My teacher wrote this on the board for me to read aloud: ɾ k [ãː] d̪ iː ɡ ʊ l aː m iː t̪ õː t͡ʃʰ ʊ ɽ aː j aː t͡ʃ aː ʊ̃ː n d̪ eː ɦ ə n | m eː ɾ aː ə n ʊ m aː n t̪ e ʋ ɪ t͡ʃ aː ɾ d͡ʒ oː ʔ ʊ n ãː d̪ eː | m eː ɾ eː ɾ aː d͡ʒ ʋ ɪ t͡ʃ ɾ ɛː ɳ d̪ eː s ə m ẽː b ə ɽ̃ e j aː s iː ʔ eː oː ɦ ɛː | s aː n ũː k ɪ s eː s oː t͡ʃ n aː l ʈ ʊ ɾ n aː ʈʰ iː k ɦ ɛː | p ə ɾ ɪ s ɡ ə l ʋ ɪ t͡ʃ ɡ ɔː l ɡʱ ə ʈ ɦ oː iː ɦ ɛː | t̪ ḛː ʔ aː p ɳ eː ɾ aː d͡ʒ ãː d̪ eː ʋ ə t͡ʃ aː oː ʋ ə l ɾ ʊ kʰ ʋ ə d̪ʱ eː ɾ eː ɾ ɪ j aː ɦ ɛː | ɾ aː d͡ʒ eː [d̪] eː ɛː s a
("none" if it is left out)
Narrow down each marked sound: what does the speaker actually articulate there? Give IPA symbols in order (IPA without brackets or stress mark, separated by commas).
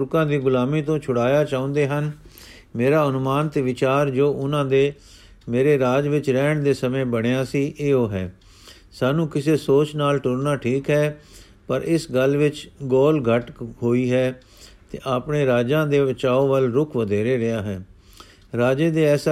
ãː, d̪